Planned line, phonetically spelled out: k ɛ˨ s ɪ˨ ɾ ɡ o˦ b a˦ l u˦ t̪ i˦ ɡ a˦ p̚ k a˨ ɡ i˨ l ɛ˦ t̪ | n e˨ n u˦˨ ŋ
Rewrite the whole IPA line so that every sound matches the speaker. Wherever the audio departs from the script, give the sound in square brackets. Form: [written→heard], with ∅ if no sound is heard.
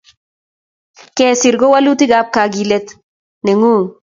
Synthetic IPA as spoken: k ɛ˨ s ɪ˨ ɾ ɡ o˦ [b→w] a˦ l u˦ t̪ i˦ ɡ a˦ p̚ k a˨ ɡ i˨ l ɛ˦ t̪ | n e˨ [n→ŋ] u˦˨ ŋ